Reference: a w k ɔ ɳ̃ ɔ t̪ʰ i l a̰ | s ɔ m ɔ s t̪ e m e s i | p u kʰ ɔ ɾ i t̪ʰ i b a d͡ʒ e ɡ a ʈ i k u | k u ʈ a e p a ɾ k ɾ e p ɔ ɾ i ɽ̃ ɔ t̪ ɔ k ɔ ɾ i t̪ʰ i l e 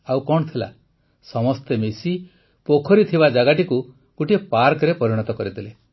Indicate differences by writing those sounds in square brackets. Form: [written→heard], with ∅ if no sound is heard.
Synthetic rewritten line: a w k ɔ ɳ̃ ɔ t̪ʰ i l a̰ | s ɔ m ɔ s t̪ e m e s i | p [u→o] kʰ ɔ ɾ i t̪ʰ i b a d͡ʒ [e→a] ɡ a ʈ i k u | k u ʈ [a→i] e p a ɾ k ɾ e p ɔ ɾ i ɽ̃ ɔ t̪ ɔ k ɔ ɾ i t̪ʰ i l e